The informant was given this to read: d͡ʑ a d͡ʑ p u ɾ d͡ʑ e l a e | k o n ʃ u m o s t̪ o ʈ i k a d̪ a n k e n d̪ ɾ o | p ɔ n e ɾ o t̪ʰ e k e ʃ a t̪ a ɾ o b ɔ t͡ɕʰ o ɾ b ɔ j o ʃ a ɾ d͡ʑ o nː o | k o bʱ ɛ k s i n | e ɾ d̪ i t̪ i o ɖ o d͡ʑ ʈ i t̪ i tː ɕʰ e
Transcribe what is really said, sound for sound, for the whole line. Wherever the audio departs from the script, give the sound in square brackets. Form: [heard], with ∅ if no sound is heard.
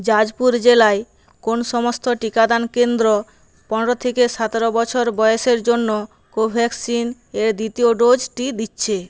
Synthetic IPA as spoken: d͡ʑ a d͡ʑ p u ɾ d͡ʑ e l a e | k o n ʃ [ɔ] m o s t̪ o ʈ i k a d̪ a n k e n d̪ ɾ o | p ɔ n e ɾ o t̪ʰ e k e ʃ a t̪ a ɾ o b ɔ t͡ɕʰ o ɾ b ɔ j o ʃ [e] ɾ d͡ʑ o nː o | k o bʱ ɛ k s i n | e ɾ d̪ i t̪ i o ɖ o d͡ʑ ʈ i [d̪] i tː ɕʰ e